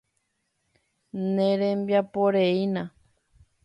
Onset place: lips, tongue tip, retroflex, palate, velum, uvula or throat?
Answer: tongue tip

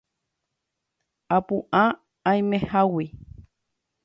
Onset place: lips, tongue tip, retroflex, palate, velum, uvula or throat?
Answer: lips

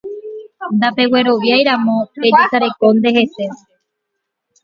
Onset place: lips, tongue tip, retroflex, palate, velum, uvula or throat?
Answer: tongue tip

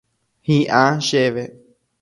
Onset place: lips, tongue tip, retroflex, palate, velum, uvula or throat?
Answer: throat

